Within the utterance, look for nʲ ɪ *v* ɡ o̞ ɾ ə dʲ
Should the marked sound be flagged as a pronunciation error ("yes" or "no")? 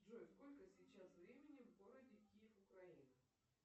no